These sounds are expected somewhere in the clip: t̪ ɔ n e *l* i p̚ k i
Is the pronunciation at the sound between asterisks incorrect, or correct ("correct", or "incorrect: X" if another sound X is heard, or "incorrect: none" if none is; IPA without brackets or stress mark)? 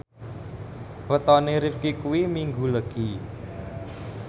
incorrect: ɾ